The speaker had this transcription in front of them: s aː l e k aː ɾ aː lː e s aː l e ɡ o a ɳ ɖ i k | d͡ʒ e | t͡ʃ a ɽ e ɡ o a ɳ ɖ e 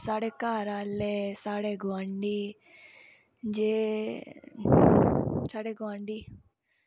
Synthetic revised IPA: s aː ɽ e k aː ɾ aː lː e s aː ɽ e ɡ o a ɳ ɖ i | d͡ʒ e | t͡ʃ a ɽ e ɡ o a ɳ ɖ i